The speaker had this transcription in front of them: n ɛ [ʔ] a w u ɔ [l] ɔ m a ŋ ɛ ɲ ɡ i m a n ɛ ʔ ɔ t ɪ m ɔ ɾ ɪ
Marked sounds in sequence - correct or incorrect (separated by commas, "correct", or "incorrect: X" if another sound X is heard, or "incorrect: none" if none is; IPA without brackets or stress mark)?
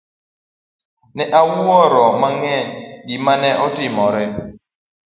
correct, incorrect: ɾ